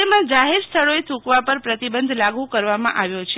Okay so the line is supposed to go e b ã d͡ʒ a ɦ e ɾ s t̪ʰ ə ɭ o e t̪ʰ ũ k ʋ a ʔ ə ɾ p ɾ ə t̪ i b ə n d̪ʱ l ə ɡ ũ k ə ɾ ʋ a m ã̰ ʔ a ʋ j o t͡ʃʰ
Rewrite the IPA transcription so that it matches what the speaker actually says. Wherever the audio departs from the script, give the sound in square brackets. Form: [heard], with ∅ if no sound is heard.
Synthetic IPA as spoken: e [m] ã d͡ʒ a ɦ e ɾ s t̪ʰ ə ɭ o e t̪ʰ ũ k ʋ a [p] ə ɾ p ɾ ə t̪ i b ə n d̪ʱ l [a] ɡ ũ k ə ɾ ʋ a m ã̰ ʔ a ʋ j o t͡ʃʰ